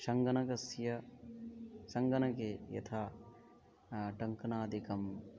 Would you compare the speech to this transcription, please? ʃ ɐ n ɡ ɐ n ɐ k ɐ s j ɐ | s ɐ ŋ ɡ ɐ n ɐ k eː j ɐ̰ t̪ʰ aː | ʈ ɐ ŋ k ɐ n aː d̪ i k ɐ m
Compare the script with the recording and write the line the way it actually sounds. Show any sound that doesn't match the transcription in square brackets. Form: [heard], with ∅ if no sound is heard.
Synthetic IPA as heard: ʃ ɐ [ŋ] ɡ ɐ n ɐ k ɐ s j ɐ | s ɐ ŋ ɡ ɐ n ɐ k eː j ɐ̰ t̪ʰ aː | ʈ ɐ ŋ k ɐ n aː d̪ i k ɐ m